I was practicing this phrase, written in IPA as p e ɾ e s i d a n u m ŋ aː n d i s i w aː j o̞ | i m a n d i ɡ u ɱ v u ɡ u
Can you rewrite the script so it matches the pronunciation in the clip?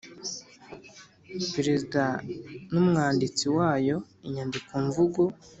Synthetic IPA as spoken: p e ɾ e z i d a n u m ŋ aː n d i t͡s i w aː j o̞ | i ɲ a n d i k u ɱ v u ɡ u